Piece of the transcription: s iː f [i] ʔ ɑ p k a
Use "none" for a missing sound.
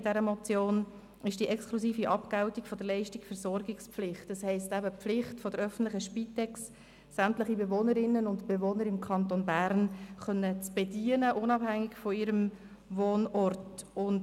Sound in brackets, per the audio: i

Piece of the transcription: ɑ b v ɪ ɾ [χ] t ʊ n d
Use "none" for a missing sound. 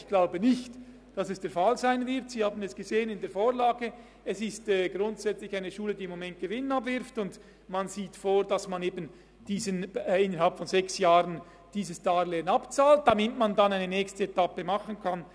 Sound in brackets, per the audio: f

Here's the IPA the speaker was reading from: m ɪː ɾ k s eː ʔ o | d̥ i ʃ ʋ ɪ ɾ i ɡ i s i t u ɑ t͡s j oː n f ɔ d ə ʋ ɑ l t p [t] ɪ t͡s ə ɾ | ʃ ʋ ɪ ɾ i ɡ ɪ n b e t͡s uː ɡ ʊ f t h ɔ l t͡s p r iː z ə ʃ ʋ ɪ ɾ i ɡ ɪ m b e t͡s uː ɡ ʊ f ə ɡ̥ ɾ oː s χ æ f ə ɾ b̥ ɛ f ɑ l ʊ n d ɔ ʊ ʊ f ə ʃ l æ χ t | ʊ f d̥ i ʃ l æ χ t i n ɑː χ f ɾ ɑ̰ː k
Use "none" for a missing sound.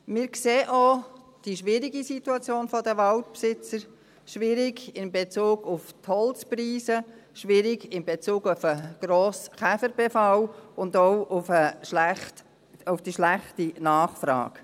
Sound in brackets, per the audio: s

